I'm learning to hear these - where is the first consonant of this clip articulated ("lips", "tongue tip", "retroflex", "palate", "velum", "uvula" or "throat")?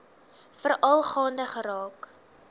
lips